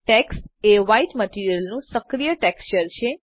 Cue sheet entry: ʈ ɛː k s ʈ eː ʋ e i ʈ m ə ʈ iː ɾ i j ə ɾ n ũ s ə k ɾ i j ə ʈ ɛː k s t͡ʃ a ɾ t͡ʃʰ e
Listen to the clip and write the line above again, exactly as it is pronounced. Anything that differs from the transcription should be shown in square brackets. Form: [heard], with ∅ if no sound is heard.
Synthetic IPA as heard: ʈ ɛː k s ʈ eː ʋ [a] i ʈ m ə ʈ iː ɾ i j ə [l] n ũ s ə k ɾ i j ə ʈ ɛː k s t͡ʃ [ə] ɾ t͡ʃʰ e